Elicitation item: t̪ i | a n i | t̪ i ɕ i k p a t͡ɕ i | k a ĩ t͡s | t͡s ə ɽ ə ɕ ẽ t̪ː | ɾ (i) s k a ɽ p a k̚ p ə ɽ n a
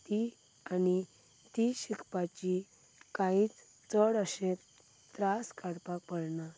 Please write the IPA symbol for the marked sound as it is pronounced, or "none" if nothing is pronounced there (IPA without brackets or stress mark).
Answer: a